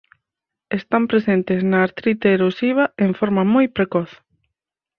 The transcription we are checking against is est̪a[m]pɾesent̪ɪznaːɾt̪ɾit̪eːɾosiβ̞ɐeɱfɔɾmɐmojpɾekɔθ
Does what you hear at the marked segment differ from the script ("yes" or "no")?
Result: no